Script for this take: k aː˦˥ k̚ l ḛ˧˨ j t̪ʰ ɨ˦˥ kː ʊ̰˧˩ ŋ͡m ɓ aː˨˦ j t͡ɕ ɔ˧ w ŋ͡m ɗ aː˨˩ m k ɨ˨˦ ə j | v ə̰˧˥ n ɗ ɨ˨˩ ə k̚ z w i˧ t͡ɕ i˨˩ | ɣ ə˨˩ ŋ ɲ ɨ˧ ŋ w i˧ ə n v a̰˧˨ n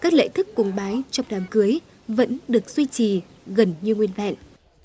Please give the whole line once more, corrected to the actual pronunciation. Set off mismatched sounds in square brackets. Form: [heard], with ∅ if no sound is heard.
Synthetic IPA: k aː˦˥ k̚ l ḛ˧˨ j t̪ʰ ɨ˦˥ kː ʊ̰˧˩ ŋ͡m ɓ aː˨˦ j t͡ɕ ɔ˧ w ŋ͡m ɗ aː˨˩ m k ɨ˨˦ ə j | v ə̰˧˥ n ɗ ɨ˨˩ ə k̚ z w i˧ t͡ɕ i˨˩ | ɣ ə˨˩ [n] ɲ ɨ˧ ŋ w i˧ ə n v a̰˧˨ n